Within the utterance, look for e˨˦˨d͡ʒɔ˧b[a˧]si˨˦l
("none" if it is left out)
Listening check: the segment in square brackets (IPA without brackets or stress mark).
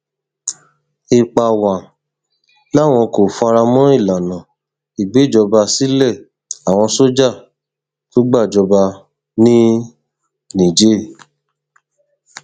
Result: a˧